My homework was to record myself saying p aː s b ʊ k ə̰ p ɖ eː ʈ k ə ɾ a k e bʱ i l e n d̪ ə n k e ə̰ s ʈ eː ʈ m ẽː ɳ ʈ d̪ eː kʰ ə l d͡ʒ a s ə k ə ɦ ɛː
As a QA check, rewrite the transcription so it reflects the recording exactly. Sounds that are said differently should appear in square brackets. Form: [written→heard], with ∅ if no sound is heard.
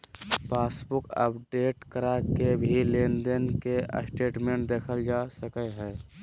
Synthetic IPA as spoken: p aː s b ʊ k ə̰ p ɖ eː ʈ k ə ɾ a k e bʱ i l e n d̪ ə n k e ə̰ s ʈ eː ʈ m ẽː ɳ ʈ d̪ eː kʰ ə l d͡ʒ a s ə k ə ɦ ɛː

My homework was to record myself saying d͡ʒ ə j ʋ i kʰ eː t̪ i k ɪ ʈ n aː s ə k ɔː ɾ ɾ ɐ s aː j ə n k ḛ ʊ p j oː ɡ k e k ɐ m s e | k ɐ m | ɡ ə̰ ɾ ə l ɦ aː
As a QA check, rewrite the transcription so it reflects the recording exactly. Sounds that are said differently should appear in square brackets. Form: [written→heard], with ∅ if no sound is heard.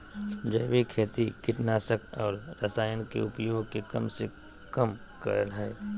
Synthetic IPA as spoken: d͡ʒ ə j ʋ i kʰ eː t̪ i k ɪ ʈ n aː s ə k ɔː ɾ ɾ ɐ s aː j ə n k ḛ ʊ p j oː ɡ k e k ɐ m s e | k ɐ m | [ɡ→k] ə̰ ɾ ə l ɦ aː

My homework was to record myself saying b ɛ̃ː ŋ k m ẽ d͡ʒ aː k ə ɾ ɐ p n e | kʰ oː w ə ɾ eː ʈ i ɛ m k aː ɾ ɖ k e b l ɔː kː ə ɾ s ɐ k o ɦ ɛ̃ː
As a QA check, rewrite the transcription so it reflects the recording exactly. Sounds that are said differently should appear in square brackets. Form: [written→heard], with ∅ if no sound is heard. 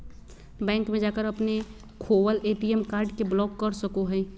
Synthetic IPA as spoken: b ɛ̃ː ŋ k m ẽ d͡ʒ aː k ə ɾ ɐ p n e | kʰ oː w ə [ɾ→l] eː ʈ i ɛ m k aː ɾ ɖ k e b l ɔː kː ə ɾ s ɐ k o ɦ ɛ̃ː

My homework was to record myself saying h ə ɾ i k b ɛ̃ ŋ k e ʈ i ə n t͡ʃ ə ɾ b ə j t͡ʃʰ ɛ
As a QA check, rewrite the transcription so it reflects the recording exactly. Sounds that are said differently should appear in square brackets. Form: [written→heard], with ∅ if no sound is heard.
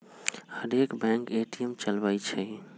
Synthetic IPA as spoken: h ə ɾ [i→e] k b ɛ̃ ŋ k e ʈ i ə [n→m] t͡ʃ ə [ɾ→l] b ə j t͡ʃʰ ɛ

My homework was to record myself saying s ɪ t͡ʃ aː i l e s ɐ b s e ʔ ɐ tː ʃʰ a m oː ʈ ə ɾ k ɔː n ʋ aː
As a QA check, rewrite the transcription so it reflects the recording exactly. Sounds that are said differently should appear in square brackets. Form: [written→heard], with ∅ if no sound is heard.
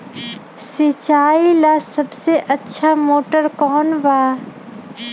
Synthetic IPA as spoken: s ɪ t͡ʃ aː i l [e→a] s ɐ b s e ʔ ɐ tː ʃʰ a m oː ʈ ə ɾ k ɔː n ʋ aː

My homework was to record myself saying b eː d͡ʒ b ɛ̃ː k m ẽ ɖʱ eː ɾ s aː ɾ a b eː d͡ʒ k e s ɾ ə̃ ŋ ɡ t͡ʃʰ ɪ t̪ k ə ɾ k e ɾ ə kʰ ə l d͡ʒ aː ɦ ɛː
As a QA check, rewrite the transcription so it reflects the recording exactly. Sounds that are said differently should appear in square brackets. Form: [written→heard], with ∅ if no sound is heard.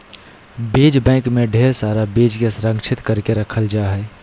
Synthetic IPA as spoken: b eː d͡ʒ b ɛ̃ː k m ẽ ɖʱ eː ɾ s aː ɾ a b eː d͡ʒ k e s ɾ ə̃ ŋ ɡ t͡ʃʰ ɪ t̪ k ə ɾ k e ɾ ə kʰ ə l d͡ʒ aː ɦ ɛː

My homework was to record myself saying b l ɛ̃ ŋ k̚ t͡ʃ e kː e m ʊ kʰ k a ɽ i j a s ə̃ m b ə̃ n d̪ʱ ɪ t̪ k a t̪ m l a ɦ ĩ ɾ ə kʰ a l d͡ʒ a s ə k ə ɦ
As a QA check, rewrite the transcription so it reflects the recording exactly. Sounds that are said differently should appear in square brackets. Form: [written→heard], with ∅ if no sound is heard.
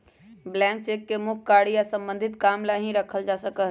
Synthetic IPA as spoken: b l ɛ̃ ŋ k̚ t͡ʃ e kː e m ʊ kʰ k a ɽ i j a s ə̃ m b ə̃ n d̪ʱ ɪ t̪ k a [t̪→∅] m l a ɦ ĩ ɾ ə kʰ [a→ə] l d͡ʒ a s ə k ə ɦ

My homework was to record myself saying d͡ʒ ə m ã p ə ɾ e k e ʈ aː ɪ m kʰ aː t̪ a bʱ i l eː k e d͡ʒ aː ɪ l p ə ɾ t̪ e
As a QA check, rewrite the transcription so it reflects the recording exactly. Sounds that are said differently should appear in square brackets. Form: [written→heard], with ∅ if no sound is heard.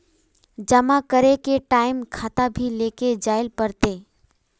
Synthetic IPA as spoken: d͡ʒ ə m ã [p→k] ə ɾ e k e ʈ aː ɪ m kʰ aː t̪ a bʱ i l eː k e d͡ʒ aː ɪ l p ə ɾ t̪ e

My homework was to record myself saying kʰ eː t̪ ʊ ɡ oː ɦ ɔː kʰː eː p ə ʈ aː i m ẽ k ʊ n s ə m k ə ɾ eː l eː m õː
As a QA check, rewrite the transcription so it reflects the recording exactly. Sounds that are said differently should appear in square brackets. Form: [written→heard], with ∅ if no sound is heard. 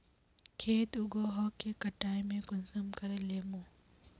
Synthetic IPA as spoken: kʰ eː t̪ ʊ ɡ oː ɦ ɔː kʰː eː [p→k] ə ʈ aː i m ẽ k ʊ n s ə m k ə ɾ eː l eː m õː

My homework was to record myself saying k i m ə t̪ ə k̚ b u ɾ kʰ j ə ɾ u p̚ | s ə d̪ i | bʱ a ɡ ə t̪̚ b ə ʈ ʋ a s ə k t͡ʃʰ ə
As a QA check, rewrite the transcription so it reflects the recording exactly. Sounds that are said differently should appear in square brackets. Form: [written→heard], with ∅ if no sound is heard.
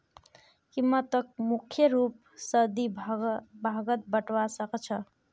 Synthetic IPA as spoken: k i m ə t̪ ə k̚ [b→m] u [ɾ→∅] kʰ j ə ɾ u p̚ | s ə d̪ i | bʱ a ɡ ə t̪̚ b ə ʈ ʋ a s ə k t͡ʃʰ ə

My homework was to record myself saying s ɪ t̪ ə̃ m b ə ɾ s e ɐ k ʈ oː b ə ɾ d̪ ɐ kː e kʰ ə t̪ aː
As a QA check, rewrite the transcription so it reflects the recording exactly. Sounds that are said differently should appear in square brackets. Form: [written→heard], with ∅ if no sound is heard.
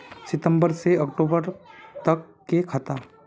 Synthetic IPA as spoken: s ɪ t̪ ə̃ m b ə ɾ s e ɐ k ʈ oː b ə ɾ [d̪→t̪] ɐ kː e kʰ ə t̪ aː

